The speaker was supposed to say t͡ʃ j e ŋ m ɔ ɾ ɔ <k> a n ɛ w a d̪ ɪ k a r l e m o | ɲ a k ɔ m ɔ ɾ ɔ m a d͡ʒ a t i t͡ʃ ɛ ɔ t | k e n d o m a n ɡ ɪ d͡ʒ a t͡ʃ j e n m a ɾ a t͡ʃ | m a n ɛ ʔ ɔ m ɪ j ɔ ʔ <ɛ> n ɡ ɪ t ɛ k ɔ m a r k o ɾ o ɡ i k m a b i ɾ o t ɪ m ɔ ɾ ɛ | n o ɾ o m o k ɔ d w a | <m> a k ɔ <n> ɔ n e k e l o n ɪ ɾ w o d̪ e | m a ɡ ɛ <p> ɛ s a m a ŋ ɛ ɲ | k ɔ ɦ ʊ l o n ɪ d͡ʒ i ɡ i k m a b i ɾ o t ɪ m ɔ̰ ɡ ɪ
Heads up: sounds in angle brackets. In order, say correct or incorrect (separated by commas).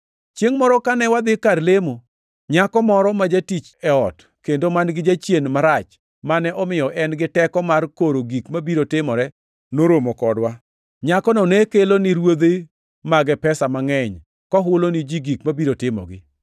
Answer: correct, correct, incorrect, correct, correct